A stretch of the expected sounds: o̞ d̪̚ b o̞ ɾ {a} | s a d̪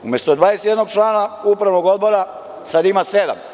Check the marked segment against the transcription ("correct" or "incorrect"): correct